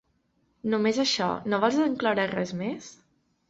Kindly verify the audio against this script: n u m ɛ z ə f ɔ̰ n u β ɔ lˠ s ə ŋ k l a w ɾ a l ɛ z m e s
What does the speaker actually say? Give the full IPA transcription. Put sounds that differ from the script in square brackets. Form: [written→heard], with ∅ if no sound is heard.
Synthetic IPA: n u m [ɛ→e] z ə [f→ʃ] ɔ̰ n [u→o] β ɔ lˠ [s→z] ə ŋ k l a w ɾ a [l→r] ɛ z m e s